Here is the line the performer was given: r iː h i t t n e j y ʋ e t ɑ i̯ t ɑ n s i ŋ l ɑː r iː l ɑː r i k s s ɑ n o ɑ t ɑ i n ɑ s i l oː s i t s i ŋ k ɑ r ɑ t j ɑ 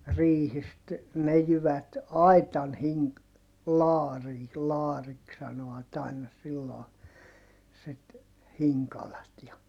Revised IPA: r iː h i s t n e j y ʋ æ t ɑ i̯ t ɑ n h i ŋ l ɑː r iː l ɑː r i k s s ɑ n o ɑ t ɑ i n ɑ s i lː oː s i t h i ŋ k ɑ l ɑ t j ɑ